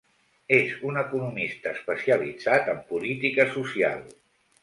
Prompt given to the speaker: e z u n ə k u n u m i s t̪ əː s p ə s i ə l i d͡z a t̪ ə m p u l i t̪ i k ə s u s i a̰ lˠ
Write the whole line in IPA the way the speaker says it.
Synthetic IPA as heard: e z u n ə k u n u m i s t̪ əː s p ə s i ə l i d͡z a t̪ ə m p u l i t̪ i k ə s u s i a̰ lˠ